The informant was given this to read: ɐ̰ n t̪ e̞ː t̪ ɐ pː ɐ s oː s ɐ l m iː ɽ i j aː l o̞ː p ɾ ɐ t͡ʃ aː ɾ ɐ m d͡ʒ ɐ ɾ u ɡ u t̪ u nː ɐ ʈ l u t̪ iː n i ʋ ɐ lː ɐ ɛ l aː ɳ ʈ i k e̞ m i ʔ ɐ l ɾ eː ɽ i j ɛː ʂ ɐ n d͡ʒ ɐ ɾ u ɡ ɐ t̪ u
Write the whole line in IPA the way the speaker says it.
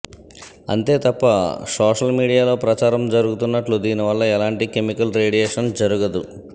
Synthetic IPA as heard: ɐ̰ n t̪ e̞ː t̪ ɐ pː ɐ s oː ʂ ɐ l m iː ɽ i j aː l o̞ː p ɾ ɐ t͡ʃ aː ɾ ɐ m d͡ʒ ɐ ɾ u ɡ u t̪ u nː ɐ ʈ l u d̪ iː n i ʋ ɐ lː ɐ ɛ l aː ɳ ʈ i k e̞ m i k ɐ l ɾ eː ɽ i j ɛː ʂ ɐ n d͡ʒ ɐ ɾ u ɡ ɐ d̪ u